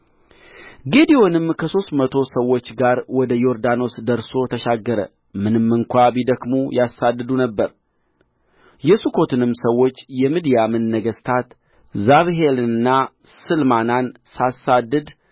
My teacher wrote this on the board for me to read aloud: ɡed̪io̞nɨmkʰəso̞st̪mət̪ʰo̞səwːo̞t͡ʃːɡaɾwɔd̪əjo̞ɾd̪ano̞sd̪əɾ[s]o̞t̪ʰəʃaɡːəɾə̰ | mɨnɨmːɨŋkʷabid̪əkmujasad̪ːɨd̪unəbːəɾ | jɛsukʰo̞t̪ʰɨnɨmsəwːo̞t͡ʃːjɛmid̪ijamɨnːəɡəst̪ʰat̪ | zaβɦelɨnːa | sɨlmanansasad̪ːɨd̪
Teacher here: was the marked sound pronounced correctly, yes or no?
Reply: yes